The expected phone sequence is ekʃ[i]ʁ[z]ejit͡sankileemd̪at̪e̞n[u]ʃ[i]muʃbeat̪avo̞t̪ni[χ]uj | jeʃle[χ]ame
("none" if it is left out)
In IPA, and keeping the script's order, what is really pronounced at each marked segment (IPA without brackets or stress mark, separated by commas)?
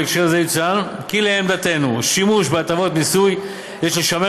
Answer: e, z, u, i, s, ʃ